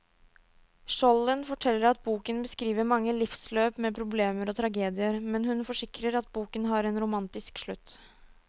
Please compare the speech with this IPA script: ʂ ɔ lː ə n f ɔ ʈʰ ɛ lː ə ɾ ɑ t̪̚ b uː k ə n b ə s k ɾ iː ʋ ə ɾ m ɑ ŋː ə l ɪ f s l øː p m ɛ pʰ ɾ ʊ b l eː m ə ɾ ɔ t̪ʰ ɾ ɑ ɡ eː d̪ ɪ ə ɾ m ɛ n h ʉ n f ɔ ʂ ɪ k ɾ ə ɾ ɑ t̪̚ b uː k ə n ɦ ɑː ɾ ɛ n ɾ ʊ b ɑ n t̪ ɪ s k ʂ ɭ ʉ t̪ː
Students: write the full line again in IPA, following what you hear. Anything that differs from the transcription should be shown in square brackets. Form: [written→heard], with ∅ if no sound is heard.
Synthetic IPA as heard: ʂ ɔ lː ə n f ɔ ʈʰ ɛ lː ə ɾ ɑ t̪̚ b uː k ə n b ə s k ɾ iː ʋ ə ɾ m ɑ ŋː ə l ɪ f s l øː p m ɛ pʰ ɾ ʊ b l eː m ə ɾ ɔ t̪ʰ ɾ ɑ ɡ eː d̪ ɪ ə ɾ m ɛ n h ʉ n f ɔ ʂ ɪ k ɾ ə ɾ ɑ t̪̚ b uː k ə n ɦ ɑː ɾ ɛ n ɾ ʊ [b→m] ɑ n t̪ ɪ s k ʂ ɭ ʉ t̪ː